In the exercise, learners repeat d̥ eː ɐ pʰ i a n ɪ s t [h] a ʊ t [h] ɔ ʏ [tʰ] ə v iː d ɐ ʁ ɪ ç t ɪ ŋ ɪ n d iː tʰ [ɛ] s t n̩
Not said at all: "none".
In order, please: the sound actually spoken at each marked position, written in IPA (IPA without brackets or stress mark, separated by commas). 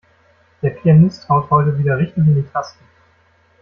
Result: h, h, t, a